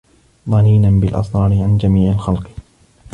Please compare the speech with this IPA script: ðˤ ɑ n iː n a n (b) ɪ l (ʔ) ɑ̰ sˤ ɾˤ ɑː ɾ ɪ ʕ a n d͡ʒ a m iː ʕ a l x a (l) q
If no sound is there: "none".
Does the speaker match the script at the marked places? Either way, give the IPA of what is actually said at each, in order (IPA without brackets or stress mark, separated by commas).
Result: b, ʔ, l